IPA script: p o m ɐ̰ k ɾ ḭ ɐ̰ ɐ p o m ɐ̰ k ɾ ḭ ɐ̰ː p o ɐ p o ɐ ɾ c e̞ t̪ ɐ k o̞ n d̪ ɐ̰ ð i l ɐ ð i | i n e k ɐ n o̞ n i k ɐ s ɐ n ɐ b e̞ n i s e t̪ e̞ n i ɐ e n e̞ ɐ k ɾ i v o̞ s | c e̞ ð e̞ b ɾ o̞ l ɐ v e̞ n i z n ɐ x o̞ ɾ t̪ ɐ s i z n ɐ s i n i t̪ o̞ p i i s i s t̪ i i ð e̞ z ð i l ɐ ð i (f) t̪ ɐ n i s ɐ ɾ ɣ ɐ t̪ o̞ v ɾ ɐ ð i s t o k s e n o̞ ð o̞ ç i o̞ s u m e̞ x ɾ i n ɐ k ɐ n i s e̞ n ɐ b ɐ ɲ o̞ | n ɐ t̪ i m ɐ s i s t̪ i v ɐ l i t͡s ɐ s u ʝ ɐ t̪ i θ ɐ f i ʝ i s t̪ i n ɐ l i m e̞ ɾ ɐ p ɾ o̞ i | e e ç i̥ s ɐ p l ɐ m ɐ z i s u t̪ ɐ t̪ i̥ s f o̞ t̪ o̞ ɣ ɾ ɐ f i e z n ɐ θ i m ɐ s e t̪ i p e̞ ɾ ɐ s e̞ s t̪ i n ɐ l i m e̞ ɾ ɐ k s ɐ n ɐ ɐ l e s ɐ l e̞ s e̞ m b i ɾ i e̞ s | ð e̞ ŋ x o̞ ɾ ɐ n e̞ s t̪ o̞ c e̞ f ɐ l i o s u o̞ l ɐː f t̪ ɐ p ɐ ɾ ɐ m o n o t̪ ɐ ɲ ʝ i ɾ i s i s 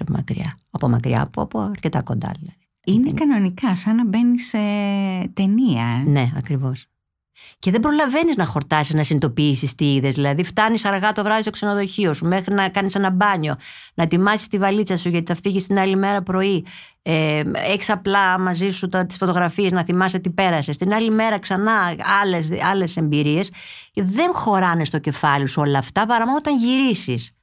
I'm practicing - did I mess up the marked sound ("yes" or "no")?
no